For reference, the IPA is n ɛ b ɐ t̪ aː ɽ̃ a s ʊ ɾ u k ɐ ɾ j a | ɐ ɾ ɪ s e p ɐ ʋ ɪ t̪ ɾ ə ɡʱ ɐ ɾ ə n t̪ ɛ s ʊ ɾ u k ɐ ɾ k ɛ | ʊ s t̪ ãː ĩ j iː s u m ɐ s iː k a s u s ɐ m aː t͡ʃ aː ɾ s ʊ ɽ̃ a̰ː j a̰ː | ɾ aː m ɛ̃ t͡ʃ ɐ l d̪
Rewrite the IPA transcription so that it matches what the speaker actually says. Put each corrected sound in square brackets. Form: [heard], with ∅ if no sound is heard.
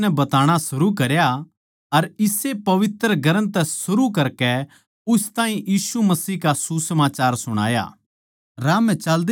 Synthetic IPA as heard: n ɛ b ɐ t̪ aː ɽ̃ a s ʊ ɾ u k ɐ ɾ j a | ɐ ɾ ɪ s e p ɐ ʋ ɪ t̪ ɾ ə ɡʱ ɐ ɾ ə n t̪ ɛ s ʊ ɾ u k ɐ ɾ k ɛ | ʊ s t̪ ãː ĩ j iː s u m ɐ s iː k a s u s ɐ m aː t͡ʃ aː ɾ s ʊ ɽ̃ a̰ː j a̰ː | ɾ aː m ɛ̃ t͡ʃ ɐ l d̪